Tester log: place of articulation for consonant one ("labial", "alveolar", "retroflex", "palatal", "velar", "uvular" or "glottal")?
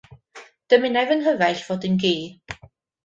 alveolar